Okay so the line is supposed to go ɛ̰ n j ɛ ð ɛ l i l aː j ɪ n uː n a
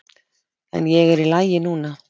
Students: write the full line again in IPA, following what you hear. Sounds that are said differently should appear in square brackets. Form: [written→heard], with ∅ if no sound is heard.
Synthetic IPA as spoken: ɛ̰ n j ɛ [ð→ɣ] ɛ [l→ɾ] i l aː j ɪ n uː n a